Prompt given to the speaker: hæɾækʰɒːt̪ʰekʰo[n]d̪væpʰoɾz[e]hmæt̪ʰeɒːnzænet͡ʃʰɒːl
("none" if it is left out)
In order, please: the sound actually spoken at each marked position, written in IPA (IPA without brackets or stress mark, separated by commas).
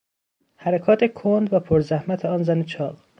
n, æ